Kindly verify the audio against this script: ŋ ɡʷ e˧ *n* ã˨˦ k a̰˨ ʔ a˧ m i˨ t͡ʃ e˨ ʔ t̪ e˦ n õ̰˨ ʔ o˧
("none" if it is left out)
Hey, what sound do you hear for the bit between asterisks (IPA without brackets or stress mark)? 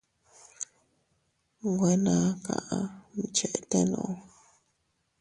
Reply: n